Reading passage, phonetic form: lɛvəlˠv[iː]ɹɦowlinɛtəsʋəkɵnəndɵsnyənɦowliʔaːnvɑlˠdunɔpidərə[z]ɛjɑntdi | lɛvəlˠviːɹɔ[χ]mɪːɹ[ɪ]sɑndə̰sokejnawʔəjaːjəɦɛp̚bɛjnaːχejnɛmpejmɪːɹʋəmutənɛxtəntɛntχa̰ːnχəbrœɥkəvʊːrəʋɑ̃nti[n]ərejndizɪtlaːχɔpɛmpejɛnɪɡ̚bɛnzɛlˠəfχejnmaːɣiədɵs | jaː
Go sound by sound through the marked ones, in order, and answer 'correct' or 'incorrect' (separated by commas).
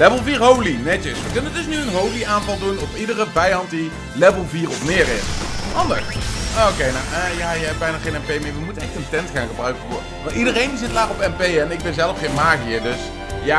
correct, incorrect, incorrect, correct, incorrect